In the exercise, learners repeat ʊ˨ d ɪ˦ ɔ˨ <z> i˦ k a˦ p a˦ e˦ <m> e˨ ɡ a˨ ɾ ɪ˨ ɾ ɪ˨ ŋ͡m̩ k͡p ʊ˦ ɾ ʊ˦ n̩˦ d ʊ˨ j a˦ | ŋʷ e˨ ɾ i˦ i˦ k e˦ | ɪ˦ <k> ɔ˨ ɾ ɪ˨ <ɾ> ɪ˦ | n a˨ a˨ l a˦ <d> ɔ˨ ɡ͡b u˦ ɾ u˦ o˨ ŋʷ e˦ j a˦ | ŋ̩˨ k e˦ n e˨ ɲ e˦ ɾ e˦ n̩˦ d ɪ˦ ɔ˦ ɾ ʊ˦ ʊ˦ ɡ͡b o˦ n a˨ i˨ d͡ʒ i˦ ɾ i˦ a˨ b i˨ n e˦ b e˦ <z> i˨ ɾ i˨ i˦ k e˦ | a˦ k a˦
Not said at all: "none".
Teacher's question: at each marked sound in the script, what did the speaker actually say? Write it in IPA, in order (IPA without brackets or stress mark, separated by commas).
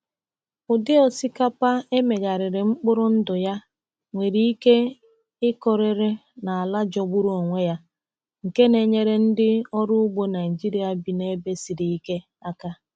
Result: s, m, k, ɾ, d͡ʒ, s